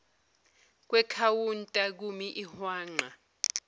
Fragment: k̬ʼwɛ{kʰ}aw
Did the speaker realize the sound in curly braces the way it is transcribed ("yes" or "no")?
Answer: yes